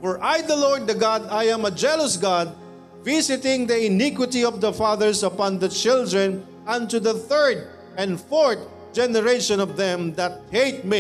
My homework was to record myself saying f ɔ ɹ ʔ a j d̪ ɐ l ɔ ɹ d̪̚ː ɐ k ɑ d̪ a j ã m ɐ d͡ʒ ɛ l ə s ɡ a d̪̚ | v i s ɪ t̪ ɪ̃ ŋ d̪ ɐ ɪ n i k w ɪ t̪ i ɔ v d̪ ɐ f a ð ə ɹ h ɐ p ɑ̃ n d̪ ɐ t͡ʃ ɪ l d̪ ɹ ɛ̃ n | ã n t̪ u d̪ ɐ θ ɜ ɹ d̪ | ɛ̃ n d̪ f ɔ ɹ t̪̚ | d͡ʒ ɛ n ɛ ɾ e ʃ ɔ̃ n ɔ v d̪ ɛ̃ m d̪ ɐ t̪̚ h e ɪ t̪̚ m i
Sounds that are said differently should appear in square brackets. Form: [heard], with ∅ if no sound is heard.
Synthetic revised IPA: f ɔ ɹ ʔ a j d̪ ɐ l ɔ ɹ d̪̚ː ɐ [ɡ] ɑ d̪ a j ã m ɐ d͡ʒ ɛ l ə s ɡ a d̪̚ | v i s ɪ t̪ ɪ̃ ŋ d̪ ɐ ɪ n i k w ɪ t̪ i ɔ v d̪ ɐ f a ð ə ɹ [s] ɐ p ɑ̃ n d̪ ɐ t͡ʃ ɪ l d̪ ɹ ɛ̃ n | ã n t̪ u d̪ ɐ θ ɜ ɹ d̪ | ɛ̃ n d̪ f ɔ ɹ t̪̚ | d͡ʒ ɛ n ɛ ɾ e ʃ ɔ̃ n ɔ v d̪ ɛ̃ m d̪ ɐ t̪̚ h e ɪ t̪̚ m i